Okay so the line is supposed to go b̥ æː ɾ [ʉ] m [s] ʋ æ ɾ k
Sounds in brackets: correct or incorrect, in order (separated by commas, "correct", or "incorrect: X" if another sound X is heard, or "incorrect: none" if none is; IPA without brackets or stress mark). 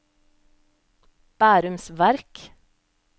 correct, correct